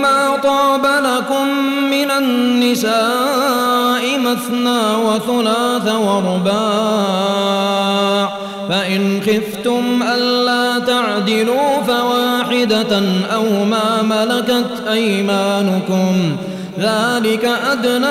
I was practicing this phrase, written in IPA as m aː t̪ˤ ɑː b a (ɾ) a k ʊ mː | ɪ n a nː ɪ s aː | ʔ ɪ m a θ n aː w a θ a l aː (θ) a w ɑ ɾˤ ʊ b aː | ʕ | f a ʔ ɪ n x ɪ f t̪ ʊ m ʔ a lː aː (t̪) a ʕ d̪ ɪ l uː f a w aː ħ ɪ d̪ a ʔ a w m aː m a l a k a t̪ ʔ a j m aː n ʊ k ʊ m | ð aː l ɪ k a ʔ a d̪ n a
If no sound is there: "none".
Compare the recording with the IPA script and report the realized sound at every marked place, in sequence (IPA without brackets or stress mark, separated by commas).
l, θ, t̪